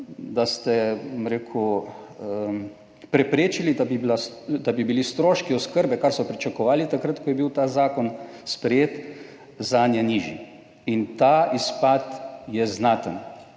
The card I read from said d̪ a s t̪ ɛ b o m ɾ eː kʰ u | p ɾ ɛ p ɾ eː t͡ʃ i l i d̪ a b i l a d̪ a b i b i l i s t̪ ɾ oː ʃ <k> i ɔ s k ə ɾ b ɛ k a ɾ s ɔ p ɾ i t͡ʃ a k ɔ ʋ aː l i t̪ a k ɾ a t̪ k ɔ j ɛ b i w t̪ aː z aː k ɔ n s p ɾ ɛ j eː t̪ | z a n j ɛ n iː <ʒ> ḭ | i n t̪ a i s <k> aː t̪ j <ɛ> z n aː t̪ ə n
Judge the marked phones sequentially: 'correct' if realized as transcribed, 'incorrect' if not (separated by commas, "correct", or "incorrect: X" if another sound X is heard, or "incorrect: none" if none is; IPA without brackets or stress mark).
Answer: correct, correct, incorrect: p, correct